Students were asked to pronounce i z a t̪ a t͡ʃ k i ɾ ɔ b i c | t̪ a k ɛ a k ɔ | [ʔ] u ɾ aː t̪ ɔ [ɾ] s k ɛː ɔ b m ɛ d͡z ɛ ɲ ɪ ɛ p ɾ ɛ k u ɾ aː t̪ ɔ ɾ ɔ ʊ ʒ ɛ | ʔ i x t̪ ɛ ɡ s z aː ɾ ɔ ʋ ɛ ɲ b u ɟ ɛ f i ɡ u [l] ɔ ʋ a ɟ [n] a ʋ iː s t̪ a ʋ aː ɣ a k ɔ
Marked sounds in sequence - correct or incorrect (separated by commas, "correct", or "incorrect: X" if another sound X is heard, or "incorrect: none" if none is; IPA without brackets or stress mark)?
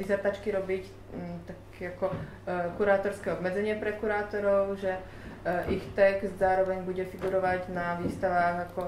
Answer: incorrect: k, correct, incorrect: ɾ, correct